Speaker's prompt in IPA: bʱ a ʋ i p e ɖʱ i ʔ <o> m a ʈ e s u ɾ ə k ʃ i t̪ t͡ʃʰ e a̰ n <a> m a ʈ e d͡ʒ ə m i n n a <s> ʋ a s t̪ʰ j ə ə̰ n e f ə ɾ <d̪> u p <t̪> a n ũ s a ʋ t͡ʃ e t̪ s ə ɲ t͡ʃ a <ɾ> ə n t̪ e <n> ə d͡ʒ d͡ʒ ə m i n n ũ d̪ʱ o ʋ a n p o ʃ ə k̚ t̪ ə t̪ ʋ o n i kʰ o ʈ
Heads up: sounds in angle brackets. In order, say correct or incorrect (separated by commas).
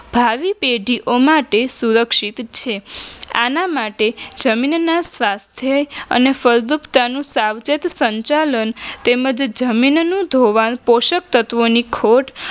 correct, correct, correct, correct, correct, incorrect, incorrect